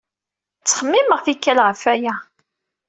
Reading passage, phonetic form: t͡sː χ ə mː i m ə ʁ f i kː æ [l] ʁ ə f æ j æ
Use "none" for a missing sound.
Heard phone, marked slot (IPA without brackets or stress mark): l